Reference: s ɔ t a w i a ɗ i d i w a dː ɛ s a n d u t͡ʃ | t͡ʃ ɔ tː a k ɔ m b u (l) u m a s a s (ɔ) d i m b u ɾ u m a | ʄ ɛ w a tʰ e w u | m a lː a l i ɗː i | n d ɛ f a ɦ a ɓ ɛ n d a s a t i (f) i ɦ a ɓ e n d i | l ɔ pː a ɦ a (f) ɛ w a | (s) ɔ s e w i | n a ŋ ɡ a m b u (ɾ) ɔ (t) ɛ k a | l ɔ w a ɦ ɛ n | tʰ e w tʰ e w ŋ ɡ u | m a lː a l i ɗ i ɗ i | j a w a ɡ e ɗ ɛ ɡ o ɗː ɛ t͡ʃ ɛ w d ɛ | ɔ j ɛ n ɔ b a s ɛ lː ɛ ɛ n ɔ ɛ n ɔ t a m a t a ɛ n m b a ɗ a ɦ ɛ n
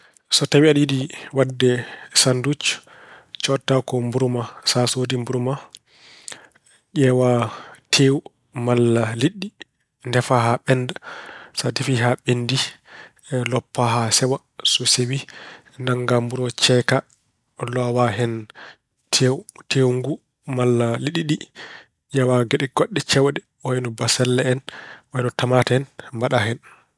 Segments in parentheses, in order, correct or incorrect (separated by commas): incorrect, incorrect, correct, incorrect, correct, correct, incorrect